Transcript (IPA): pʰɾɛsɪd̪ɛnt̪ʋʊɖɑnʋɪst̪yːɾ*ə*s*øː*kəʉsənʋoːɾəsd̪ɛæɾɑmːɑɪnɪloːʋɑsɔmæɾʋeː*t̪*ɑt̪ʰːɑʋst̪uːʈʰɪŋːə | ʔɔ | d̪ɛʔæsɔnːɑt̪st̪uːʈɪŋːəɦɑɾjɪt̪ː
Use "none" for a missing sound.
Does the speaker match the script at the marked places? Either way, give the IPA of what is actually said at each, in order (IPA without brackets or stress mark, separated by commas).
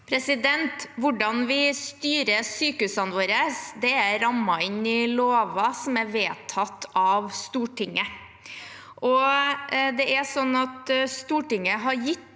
ə, yː, t̪ʰ